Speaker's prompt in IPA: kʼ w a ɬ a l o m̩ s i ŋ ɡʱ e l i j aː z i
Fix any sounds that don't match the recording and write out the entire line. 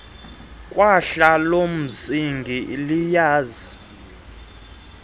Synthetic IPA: kʼ w a ɬ a l o m̩ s i ŋ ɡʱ i l i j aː z i